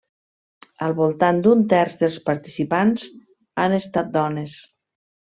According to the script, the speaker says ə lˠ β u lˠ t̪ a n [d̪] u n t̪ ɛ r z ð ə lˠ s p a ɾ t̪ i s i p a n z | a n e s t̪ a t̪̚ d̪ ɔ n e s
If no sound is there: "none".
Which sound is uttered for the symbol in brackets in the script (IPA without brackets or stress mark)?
d̪